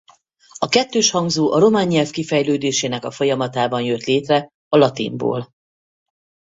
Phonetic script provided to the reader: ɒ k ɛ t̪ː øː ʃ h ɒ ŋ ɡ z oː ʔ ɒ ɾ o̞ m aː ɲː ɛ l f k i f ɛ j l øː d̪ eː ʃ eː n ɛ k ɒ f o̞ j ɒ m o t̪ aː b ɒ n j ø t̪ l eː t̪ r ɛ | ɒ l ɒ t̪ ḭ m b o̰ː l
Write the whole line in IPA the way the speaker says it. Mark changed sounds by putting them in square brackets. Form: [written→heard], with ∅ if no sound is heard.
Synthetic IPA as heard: ɒ k ɛ t̪ː øː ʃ h ɒ ŋ ɡ z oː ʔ ɒ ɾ o̞ m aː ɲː ɛ l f k i f ɛ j l øː d̪ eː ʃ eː n ɛ k ɒ f o̞ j ɒ m [o→ɒ] t̪ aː b ɒ n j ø t̪ l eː t̪ r ɛ | ɒ l ɒ t̪ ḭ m b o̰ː l